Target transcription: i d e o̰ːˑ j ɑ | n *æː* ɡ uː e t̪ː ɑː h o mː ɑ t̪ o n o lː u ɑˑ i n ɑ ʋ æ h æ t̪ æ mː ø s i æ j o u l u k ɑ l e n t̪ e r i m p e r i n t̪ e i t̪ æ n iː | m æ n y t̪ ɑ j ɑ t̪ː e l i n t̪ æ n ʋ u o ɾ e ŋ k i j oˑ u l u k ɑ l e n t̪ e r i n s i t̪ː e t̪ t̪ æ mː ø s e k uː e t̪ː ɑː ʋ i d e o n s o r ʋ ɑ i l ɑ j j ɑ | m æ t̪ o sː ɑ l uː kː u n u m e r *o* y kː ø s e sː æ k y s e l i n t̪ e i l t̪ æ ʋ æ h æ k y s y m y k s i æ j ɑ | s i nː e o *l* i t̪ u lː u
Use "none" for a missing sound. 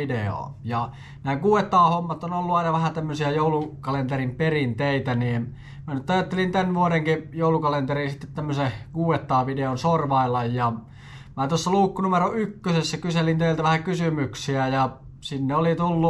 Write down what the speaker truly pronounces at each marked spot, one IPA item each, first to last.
æː, o, l

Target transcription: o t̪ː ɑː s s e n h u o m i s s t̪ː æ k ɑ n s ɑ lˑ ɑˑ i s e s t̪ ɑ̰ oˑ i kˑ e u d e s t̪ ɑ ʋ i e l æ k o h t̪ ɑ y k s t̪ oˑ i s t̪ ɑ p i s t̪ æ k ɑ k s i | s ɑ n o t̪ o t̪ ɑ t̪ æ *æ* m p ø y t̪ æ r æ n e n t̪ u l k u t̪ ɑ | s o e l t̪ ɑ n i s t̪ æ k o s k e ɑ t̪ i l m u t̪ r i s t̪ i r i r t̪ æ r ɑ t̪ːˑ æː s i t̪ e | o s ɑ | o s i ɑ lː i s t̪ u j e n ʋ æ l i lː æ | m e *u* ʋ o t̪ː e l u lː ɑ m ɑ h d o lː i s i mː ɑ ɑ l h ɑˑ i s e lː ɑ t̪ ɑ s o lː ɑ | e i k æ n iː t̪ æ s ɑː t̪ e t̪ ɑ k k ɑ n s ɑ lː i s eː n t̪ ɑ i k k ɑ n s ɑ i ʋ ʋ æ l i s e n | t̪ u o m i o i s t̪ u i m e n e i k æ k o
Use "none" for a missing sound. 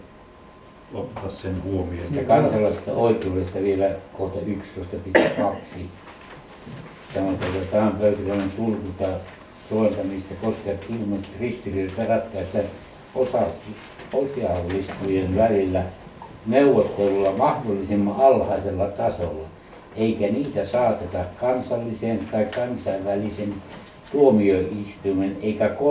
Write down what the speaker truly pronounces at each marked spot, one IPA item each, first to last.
æ, u

